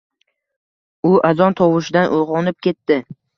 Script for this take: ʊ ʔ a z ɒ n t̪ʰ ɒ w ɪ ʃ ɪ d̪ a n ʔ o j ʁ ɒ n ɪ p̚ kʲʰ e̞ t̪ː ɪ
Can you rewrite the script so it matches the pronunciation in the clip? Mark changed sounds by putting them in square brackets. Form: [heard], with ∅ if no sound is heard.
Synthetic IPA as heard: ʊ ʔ a z ɒ n t̪ʰ ɒ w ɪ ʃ ɪ d̪ a n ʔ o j ʁ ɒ n ɪ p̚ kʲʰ e̞ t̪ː ɪ